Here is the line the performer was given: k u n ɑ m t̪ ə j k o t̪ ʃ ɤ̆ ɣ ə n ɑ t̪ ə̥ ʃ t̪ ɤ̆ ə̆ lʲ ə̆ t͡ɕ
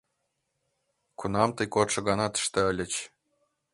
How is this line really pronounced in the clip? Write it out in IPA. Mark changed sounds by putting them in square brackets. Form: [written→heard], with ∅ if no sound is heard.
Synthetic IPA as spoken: k u n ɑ m t̪ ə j k o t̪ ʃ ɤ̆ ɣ [ə→ɑ] n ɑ t̪ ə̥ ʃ t̪ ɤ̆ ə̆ lʲ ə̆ t͡ɕ